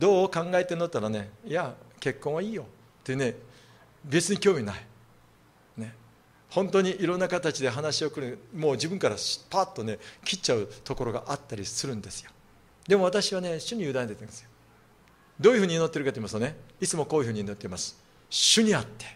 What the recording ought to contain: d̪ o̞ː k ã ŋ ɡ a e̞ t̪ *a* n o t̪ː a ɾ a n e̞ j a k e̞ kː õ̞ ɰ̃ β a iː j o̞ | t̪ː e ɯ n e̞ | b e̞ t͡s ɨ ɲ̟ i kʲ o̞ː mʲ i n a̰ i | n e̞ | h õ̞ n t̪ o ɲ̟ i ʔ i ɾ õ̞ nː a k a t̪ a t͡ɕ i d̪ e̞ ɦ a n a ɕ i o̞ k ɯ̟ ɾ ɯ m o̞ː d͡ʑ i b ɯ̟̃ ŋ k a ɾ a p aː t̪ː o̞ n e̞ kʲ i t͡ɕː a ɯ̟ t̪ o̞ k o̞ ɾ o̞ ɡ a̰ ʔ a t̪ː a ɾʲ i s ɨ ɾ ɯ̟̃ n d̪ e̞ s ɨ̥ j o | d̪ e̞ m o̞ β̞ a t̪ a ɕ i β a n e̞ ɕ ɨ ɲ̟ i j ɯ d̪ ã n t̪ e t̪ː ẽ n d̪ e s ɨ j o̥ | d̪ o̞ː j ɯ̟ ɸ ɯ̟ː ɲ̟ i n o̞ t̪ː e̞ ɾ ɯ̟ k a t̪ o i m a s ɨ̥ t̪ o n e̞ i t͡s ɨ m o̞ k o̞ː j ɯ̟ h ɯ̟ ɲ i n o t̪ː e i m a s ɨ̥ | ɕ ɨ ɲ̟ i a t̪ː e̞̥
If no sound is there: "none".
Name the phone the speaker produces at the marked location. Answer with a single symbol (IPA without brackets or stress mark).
e